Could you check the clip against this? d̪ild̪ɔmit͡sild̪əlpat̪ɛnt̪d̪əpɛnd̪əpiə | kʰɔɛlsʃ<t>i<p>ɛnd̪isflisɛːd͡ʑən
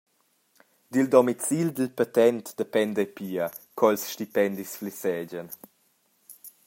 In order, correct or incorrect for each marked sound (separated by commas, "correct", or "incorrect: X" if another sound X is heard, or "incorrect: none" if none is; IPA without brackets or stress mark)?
correct, correct